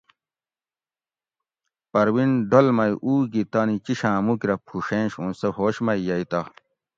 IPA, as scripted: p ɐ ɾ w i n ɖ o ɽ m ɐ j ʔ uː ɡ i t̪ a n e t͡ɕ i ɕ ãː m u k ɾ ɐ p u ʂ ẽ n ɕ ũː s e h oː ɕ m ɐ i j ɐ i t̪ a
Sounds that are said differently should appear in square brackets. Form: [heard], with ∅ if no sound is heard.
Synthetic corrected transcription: p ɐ ɾ w i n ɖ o [l] m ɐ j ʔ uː ɡ i t̪ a n [i] t͡ɕ i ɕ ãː m u k ɾ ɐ [pʰ] u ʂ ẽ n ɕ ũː s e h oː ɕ m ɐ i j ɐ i t̪ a